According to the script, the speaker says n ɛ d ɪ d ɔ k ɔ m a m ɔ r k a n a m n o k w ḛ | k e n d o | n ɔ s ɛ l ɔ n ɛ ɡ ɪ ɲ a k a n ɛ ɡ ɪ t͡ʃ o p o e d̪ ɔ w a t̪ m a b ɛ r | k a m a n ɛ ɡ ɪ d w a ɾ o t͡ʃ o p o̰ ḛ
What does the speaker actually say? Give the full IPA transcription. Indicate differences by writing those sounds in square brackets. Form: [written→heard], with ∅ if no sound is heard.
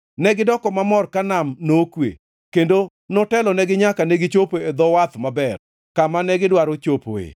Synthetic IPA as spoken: n ɛ [d→ɡ] ɪ d ɔ k ɔ m a m ɔ r k a n a m n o k w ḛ | k e n d o | n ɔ [s→t] ɛ l ɔ n ɛ ɡ ɪ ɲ a k a n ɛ ɡ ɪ t͡ʃ o p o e d̪ ɔ w a t̪ m a b ɛ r | k a m a n ɛ ɡ ɪ d w a ɾ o t͡ʃ o p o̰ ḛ